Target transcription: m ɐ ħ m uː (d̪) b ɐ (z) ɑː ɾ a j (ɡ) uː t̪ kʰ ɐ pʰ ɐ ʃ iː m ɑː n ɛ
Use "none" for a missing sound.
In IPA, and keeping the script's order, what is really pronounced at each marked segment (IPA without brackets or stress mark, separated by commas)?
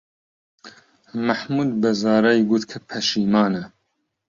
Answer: d̪, z, ɡ